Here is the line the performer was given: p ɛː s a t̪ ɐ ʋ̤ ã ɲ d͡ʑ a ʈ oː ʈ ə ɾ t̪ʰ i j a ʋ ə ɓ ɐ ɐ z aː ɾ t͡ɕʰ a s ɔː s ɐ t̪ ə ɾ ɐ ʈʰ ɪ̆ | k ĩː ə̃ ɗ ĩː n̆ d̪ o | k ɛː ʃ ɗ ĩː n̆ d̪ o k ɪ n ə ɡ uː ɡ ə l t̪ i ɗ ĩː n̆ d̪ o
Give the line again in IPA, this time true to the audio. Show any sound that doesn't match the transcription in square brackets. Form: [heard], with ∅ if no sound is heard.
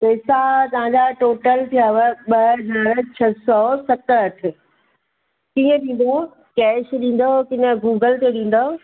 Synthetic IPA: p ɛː s a t̪ ɐ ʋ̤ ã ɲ d͡ʑ a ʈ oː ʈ ə [l] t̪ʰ i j a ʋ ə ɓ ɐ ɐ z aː ɾ t͡ɕʰ [ɐ] s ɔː s ɐ t̪ ə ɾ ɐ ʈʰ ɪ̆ | k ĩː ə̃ ɗ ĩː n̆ d̪ o | k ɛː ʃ ɗ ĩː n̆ d̪ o k ɪ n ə ɡ uː ɡ ə l t̪ [e] ɗ ĩː n̆ d̪ o

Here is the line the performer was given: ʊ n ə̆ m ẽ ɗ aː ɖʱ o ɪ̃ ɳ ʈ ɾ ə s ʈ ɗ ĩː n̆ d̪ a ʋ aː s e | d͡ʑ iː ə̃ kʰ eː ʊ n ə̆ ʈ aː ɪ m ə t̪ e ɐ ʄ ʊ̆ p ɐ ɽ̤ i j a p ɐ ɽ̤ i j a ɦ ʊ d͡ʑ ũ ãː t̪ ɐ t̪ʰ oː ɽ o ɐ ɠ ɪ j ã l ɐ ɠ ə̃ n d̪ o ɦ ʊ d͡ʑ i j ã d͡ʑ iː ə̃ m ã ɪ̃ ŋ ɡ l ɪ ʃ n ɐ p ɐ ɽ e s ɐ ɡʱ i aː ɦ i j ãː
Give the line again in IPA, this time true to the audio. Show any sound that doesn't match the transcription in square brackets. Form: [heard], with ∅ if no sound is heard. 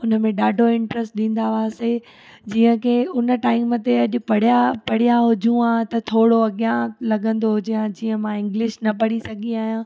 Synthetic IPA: ʊ n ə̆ m ẽ ɗ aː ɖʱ o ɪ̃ ɳ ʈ ɾ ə s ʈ ɗ ĩː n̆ d̪ a ʋ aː s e | d͡ʑ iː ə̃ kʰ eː ʊ n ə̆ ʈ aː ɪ m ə t̪ e ɐ ʄ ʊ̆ p ɐ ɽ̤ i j a p ɐ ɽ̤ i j a ɦ ʊ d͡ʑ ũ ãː t̪ ɐ t̪ʰ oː ɽ o ɐ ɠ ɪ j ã l ɐ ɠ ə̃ n d̪ o ɦ ʊ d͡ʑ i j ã d͡ʑ iː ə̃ m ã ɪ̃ ŋ ɡ l ɪ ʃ n ɐ p ɐ ɽ [i] s ɐ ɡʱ i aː ɦ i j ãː

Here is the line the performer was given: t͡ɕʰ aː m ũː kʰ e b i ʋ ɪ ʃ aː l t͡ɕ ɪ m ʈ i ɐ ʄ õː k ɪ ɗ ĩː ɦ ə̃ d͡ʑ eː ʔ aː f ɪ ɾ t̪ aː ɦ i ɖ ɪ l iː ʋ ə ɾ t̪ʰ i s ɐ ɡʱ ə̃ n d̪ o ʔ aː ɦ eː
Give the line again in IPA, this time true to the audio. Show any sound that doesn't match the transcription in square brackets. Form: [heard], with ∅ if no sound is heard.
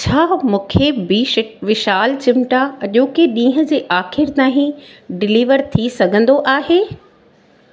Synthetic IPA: t͡ɕʰ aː m ũː kʰ e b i ʋ ɪ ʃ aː l t͡ɕ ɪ m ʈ [a] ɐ ʄ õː k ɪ ɗ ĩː ɦ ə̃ d͡ʑ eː ʔ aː [x] ɪ ɾ t̪ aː ɦ [ĩ] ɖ ɪ l iː ʋ ə ɾ t̪ʰ i s ɐ ɡʱ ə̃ n d̪ o ʔ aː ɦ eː

